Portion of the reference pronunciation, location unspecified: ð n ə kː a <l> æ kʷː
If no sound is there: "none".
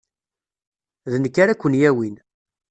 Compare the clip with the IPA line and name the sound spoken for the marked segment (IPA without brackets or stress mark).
ɾ